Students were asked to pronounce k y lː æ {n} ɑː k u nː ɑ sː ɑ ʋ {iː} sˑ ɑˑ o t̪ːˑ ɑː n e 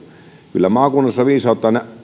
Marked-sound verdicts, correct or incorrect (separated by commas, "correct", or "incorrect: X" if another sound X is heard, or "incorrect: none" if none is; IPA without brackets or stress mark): incorrect: m, correct